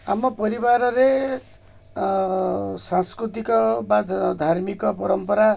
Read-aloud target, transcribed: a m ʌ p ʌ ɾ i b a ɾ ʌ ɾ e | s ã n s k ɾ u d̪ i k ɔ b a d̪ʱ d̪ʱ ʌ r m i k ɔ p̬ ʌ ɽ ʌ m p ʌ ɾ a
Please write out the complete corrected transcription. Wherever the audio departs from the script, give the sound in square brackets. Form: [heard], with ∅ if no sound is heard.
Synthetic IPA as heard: a m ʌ p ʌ ɾ i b a ɾ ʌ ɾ e | s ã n s k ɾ u [t̪] i k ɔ b a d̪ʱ d̪ʱ [a] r m i k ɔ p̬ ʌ [ɾ] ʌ m p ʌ ɾ a